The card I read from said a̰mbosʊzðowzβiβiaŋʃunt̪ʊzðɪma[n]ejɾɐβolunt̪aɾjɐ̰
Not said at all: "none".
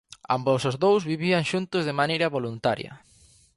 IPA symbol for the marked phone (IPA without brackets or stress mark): n